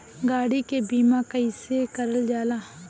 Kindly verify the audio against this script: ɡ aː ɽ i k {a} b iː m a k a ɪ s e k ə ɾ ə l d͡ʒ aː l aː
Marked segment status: incorrect: e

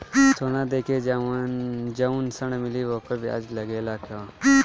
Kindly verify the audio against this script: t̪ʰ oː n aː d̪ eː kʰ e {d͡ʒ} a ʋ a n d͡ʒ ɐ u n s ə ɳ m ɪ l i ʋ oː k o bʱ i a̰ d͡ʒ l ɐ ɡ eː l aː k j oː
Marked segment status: correct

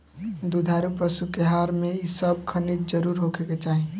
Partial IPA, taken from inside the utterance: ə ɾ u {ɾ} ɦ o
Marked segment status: correct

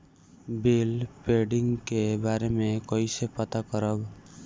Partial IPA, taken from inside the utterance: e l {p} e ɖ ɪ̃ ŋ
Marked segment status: correct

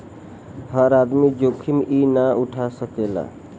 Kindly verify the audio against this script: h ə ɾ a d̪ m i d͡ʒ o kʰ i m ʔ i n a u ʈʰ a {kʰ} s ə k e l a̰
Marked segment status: incorrect: none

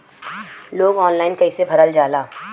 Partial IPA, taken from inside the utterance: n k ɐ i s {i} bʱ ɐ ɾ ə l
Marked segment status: incorrect: e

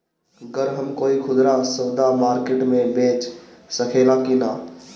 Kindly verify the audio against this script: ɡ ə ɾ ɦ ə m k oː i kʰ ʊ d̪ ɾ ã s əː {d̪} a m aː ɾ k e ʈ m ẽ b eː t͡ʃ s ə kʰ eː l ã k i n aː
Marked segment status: correct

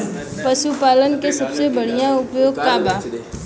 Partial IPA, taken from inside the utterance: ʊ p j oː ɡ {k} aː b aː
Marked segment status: correct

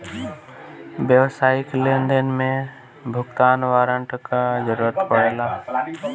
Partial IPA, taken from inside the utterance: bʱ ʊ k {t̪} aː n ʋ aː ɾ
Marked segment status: correct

